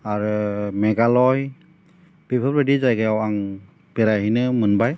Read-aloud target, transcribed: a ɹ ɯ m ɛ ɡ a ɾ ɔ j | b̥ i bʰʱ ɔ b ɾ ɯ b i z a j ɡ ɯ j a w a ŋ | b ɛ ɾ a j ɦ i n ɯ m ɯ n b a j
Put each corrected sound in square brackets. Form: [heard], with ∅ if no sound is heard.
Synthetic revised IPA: a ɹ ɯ m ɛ ɡ a [l] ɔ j | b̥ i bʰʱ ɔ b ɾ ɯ [d] i z a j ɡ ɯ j a w a ŋ | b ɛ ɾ a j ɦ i n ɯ m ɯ n b a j